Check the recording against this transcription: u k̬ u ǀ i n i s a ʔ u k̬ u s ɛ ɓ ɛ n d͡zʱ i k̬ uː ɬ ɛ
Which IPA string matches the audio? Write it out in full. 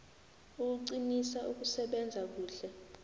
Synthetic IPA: u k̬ u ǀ i n i s a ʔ u k̬ u s ɛ ɓ ɛ n d͡zʱ a k̬ uː ɬ ɛ